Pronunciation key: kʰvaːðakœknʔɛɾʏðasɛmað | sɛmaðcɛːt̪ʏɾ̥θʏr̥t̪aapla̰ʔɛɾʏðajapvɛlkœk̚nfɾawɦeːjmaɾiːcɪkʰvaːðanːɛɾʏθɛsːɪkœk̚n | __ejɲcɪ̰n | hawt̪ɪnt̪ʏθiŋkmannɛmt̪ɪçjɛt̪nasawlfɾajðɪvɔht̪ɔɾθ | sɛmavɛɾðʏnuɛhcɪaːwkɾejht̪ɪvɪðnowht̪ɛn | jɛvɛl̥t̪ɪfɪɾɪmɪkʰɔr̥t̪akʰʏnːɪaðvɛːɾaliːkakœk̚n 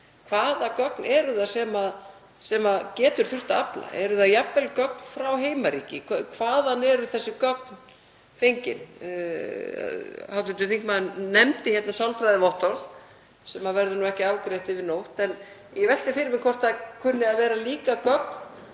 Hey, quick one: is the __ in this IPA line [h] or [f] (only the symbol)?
f